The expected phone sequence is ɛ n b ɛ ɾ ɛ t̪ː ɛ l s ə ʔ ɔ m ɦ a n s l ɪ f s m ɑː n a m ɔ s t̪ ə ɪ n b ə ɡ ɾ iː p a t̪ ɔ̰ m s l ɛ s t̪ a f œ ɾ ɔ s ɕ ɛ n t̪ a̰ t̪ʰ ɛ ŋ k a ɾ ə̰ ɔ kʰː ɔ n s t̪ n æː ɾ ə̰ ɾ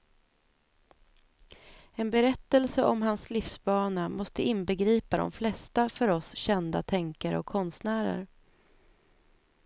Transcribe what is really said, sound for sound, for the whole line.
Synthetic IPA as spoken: ɛ n b ɛ ɾ ɛ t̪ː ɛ l s ə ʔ ɔ m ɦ a n s l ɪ f s b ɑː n a m ɔ s t̪ ə ɪ n b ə ɡ ɾ iː p a d̪ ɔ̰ m f l ɛ s t̪ a f œ ɾ ɔ s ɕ ɛ n d̪ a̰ t̪ʰ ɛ ŋ k a ɾ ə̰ ɔ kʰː ɔ n s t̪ n æː ɾ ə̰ ɾ